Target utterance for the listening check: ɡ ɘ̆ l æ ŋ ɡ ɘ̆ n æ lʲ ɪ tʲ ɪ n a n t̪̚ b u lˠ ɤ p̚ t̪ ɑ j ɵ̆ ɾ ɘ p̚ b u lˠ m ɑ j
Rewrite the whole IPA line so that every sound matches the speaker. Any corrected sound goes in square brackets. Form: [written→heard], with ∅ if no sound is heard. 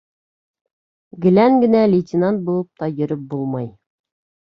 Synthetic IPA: ɡ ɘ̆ l æ ŋ ɡ ɘ̆ n æ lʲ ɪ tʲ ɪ n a n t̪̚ b u lˠ ɤ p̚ t̪ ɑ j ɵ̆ ɾ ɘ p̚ b u lˠ m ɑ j

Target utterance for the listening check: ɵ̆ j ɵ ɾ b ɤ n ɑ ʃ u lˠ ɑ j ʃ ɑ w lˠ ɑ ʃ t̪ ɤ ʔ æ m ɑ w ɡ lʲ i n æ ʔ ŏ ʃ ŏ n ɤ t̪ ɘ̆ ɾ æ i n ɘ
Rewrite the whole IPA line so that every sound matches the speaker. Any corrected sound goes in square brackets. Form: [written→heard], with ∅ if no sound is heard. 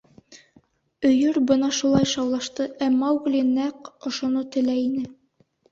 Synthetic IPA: ɵ̆ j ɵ ɾ b ɤ n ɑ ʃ u lˠ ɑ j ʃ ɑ w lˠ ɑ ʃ t̪ ɤ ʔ æ m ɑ w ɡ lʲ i n æ [ʔ→q] ŏ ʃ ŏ n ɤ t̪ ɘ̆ [ɾ→l] æ i n ɘ

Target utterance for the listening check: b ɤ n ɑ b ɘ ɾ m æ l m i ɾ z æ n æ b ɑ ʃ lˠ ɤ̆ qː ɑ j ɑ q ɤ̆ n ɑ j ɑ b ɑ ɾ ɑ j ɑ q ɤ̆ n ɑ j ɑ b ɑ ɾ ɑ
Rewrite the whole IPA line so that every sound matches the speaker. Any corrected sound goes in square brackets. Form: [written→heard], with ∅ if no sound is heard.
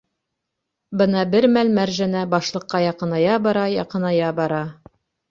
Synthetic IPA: b ɤ n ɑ b ɘ ɾ m æ l m [i→æ] ɾ [z→ʒ] æ n æ b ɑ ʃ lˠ ɤ̆ qː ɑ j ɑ q ɤ̆ n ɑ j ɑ b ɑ ɾ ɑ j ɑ q ɤ̆ n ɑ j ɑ b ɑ ɾ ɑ

